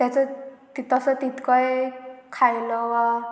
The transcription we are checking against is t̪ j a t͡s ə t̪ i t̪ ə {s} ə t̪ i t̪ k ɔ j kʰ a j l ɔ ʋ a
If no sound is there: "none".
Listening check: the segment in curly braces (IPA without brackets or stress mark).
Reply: s